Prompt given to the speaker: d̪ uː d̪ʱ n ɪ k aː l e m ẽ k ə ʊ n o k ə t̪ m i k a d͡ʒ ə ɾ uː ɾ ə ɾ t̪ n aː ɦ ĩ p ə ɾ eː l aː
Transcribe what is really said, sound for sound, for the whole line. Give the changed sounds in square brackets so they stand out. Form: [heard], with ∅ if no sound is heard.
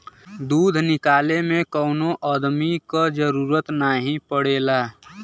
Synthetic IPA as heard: d̪ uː d̪ʱ n ɪ k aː l e m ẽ k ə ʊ n o [ʔ] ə [d̪] m i k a d͡ʒ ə ɾ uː ɾ ə [∅] t̪ n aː ɦ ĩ p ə [ɽ] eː l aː